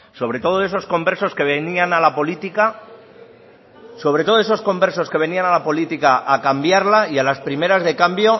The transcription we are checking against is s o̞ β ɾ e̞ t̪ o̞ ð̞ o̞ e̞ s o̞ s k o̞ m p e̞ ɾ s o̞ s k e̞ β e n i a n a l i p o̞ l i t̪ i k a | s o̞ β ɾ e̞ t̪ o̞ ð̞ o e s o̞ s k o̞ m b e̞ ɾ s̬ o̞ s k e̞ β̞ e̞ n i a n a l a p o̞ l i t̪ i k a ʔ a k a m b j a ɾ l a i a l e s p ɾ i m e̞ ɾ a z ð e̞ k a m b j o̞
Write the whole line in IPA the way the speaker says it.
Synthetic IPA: s o̞ β ɾ e̞ t̪ o̞ ð̞ o̞ e̞ s o̞ s k o̞ m b e̞ ɾ s o̞ s k e̞ β e n i a n a l a p o̞ l i t̪ i k a | s o̞ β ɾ e̞ t̪ o̞ ð̞ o e s o̞ s k o̞ m b e̞ ɾ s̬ o̞ s k e̞ β̞ e̞ n i a n a l a p o̞ l i t̪ i k a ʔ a k a m b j a ɾ l a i a l a s p ɾ i m e̞ ɾ a z ð e̞ k a m b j o̞